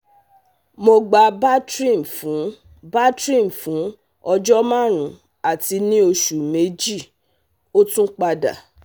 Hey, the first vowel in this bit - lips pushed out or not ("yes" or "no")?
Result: yes